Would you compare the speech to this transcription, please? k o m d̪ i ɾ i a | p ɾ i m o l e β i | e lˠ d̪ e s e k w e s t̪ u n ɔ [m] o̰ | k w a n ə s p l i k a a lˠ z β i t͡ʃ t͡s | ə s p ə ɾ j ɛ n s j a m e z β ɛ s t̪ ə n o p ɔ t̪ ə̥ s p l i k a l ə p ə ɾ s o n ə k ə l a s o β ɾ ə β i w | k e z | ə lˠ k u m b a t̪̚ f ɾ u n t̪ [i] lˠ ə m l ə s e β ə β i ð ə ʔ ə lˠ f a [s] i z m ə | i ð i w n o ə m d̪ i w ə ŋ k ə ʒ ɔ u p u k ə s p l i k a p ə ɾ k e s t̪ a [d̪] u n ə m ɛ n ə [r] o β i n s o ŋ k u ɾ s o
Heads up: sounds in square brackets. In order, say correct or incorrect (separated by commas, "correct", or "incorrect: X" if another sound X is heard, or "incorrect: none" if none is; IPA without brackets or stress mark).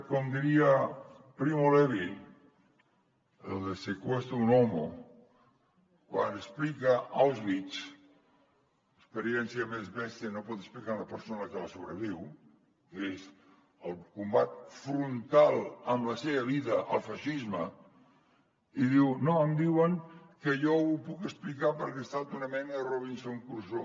correct, incorrect: a, incorrect: ʃ, incorrect: t̪, correct